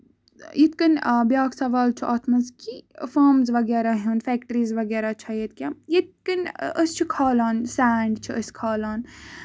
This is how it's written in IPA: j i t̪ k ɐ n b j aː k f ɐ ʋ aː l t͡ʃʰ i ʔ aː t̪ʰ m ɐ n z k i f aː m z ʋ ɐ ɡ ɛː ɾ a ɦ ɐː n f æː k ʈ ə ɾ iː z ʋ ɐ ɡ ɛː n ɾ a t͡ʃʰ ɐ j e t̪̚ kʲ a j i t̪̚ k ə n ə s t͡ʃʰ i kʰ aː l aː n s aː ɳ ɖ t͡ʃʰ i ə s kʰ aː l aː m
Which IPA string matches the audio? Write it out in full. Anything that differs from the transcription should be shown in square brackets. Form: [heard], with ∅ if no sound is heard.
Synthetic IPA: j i t̪ k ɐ n b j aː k [s] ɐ ʋ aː l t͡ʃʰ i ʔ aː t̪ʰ m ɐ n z k i f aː m z ʋ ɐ ɡ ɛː ɾ a ɦ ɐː n f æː k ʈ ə ɾ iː z ʋ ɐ ɡ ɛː [∅] ɾ a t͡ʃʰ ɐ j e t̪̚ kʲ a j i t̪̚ k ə n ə s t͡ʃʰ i kʰ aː l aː n s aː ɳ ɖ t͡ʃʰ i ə s kʰ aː l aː [n]